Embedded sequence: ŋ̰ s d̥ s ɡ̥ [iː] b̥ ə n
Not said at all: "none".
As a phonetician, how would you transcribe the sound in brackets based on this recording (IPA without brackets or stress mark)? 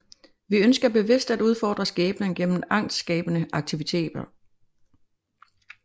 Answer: ɛː